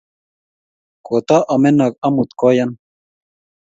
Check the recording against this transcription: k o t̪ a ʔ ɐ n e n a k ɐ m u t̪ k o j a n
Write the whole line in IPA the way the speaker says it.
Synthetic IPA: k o t̪ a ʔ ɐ m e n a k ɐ m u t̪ k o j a n